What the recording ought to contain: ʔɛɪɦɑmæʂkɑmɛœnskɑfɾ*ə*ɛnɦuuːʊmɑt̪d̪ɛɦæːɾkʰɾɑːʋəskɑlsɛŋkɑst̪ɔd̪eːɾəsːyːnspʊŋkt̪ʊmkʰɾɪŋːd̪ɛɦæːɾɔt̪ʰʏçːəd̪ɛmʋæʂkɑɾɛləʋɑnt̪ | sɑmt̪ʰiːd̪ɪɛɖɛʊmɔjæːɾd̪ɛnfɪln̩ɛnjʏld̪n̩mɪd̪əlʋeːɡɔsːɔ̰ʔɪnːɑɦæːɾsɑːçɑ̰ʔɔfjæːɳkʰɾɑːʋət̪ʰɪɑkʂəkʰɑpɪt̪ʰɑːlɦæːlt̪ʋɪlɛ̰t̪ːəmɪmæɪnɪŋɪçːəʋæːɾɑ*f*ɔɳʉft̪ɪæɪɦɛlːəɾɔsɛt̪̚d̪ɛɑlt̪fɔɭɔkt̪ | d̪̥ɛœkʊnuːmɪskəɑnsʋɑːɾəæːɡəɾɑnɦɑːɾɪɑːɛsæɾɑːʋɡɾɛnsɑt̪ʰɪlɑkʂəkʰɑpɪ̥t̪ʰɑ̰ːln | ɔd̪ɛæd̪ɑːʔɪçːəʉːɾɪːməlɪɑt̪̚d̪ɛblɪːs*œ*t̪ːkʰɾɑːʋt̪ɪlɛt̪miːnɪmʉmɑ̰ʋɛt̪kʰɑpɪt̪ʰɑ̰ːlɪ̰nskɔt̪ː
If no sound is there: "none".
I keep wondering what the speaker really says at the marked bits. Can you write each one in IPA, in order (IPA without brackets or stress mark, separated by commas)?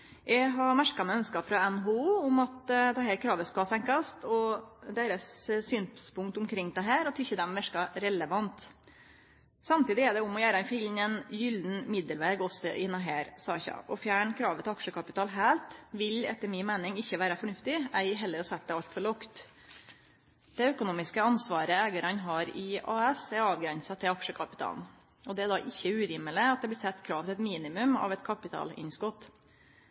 ɑ, f, ɛ